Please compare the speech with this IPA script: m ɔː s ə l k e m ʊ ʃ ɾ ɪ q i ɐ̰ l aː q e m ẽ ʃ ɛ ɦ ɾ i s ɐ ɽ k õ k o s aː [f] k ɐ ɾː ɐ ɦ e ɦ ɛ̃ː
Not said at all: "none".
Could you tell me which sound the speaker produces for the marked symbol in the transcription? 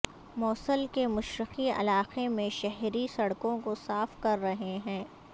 f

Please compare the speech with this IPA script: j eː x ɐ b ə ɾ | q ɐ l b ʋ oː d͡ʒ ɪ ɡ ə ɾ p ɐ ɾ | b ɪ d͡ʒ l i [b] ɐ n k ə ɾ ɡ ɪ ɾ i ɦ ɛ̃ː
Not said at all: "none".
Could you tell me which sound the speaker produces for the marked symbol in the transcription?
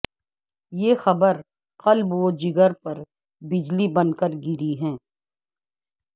b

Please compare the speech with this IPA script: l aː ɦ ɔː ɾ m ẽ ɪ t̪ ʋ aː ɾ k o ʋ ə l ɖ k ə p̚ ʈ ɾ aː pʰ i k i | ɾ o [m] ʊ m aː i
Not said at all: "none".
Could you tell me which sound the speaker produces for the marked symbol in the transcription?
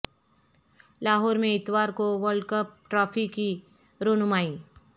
n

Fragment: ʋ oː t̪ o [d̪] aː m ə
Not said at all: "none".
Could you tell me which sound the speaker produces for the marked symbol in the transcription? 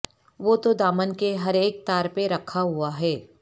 d̪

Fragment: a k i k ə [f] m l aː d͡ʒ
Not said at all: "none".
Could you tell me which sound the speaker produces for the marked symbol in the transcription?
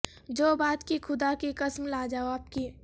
s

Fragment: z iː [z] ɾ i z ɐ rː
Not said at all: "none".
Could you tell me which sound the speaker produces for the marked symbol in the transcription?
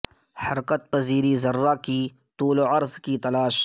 none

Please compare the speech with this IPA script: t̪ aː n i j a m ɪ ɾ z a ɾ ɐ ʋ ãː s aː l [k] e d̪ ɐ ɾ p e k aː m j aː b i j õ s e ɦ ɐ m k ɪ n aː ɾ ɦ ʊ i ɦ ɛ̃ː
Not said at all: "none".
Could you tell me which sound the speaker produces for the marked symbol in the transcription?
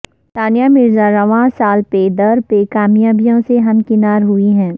p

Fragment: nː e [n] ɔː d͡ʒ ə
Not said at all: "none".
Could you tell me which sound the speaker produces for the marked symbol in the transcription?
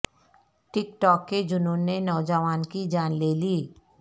n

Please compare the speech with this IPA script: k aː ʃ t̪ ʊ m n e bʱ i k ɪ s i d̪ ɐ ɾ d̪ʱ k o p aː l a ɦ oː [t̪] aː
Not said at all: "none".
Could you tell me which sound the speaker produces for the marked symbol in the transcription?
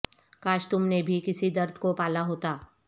t̪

